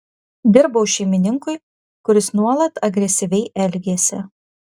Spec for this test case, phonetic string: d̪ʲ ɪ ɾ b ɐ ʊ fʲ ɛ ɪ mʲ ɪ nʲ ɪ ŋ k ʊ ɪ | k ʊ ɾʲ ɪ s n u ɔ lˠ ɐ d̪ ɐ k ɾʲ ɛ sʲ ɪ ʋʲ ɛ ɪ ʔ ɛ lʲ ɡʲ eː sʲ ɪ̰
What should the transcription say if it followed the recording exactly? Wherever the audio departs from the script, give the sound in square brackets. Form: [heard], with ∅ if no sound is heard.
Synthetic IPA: d̪ʲ ɪ ɾ b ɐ ʊ [ʃʲ] ɛ ɪ mʲ ɪ nʲ ɪ ŋ k ʊ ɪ | k ʊ ɾʲ ɪ s n u ɔ lˠ ɐ [t̪] ɐ [ɡ] ɾʲ ɛ sʲ ɪ ʋʲ ɛ ɪ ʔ ɛ lʲ ɡʲ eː sʲ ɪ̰